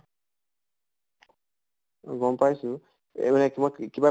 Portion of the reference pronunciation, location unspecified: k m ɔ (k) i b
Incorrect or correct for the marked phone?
correct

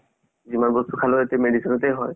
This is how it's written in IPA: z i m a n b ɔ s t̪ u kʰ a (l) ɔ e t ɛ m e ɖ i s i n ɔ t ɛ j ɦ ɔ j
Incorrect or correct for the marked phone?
correct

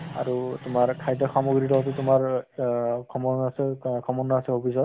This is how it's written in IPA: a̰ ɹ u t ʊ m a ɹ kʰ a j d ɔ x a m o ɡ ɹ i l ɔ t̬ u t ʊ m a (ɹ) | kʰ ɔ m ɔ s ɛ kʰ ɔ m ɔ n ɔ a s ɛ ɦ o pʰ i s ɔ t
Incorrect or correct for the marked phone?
correct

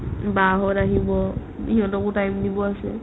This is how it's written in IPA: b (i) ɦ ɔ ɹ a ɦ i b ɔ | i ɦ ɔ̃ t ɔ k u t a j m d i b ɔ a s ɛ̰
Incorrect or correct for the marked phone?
incorrect: a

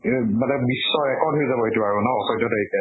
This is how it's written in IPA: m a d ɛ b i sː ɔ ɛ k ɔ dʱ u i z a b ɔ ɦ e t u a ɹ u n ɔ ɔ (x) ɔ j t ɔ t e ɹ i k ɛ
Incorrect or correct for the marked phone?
incorrect: s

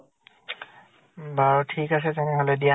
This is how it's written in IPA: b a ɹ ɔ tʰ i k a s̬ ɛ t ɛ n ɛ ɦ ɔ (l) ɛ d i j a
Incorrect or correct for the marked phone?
correct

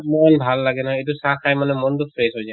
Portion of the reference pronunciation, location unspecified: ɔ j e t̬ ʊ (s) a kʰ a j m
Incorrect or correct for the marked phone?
correct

